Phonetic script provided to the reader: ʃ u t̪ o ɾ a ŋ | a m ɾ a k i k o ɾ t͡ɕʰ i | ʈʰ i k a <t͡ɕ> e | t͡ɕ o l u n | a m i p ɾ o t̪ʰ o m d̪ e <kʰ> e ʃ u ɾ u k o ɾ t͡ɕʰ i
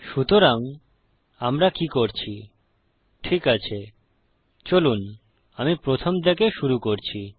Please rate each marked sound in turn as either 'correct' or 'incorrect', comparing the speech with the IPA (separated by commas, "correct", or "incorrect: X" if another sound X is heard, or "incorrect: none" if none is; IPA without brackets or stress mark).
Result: incorrect: t͡ɕʰ, incorrect: k